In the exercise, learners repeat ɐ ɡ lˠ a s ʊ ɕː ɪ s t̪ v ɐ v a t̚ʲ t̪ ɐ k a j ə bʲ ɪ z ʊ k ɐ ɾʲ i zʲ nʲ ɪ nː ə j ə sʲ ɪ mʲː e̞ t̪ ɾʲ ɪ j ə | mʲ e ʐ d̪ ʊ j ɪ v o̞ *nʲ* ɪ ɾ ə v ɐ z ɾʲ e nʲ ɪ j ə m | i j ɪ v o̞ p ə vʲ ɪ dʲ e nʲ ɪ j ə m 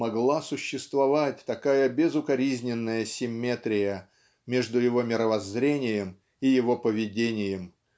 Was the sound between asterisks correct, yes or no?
no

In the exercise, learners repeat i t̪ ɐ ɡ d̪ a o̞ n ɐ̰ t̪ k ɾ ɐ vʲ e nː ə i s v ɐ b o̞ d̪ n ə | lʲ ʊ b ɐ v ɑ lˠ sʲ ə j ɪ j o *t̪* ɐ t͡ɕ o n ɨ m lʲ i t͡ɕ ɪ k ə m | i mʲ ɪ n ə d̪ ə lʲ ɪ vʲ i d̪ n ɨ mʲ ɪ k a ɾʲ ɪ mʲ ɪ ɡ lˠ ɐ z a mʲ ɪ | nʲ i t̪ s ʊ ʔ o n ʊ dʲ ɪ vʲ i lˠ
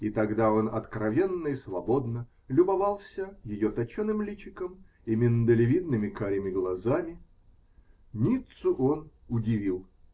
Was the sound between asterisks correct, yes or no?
yes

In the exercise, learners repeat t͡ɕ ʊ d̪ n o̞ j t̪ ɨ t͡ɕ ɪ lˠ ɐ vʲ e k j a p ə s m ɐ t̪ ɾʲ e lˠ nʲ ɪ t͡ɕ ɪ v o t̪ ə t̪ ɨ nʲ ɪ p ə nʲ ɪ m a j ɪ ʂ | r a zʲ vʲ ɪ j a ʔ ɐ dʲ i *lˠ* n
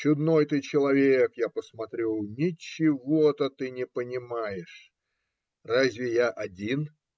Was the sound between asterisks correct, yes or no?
no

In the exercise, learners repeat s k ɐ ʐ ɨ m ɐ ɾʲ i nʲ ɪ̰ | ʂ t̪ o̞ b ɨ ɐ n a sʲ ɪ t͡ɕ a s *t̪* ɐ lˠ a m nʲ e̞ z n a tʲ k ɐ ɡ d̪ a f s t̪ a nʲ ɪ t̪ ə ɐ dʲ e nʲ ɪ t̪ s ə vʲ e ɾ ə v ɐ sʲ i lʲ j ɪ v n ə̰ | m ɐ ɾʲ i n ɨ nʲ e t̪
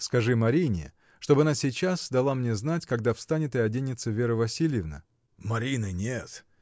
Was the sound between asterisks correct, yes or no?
no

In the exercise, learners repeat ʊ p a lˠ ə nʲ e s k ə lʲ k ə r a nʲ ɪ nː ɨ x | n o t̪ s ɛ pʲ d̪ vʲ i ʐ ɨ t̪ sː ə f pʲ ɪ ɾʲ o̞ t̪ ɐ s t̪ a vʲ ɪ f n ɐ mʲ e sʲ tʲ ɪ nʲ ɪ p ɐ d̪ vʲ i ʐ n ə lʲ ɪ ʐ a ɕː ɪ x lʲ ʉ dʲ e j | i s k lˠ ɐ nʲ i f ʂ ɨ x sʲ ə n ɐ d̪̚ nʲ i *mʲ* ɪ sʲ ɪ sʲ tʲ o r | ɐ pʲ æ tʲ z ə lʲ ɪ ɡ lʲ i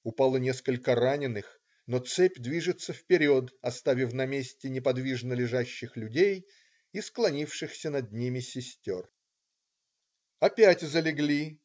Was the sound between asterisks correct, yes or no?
yes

